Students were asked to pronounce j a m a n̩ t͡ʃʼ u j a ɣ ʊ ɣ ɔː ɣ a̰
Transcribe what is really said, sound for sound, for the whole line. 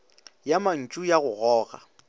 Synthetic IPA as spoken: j a m a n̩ t͡ʃʼ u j a ɣ ʊ ɣ ɔː ɣ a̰